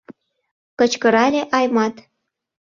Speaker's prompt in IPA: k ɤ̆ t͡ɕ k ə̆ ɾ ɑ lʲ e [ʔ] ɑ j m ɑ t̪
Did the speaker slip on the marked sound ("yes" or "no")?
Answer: no